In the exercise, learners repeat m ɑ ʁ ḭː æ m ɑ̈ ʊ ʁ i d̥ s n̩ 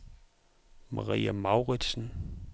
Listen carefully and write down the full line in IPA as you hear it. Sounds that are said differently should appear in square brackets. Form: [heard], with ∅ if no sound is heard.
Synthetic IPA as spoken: m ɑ ʁ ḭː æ m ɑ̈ ʊ ʁ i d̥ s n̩